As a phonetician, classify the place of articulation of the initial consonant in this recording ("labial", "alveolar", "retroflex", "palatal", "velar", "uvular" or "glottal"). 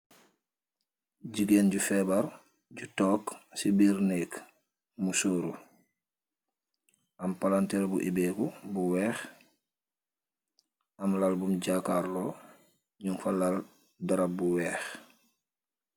palatal